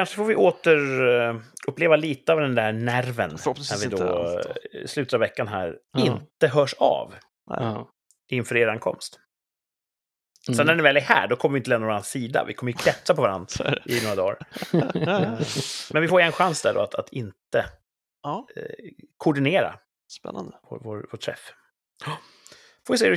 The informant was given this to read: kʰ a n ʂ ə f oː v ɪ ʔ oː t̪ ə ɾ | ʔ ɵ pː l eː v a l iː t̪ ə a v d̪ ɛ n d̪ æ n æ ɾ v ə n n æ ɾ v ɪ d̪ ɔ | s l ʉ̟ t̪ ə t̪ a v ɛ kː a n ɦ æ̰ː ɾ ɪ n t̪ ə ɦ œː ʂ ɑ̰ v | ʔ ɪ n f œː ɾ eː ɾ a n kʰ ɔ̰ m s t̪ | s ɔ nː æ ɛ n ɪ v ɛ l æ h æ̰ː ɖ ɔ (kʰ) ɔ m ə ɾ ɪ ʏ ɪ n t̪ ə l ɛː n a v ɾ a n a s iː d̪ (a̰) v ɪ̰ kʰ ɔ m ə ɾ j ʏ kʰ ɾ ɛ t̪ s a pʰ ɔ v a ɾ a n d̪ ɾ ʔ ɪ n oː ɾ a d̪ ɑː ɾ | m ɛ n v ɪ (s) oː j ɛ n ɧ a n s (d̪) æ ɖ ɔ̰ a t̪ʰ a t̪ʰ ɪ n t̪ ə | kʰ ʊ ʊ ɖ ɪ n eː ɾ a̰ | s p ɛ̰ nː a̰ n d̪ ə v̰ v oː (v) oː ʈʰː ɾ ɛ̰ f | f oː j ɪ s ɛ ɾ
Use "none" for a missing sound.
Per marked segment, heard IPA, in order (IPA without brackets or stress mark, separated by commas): kʰ, a̰, f, d̪, v